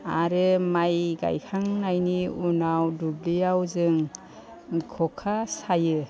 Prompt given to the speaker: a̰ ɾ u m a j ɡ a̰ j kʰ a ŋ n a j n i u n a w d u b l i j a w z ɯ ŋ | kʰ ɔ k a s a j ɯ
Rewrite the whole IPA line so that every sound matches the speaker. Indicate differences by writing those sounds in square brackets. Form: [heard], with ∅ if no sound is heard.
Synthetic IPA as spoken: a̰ ɾ [ɯ] m a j ɡ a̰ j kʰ a ŋ n a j n i u n a w d u b l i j a w z ɯ ŋ | kʰ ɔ [kʰ] a s a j ɯ